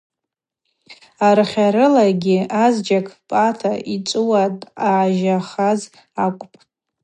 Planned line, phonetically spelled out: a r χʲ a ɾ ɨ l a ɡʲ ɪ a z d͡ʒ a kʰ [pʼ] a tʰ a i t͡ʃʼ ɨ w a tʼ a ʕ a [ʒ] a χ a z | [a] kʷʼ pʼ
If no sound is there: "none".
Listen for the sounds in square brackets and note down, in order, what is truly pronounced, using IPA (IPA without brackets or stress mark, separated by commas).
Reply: pʼ, ʒ, a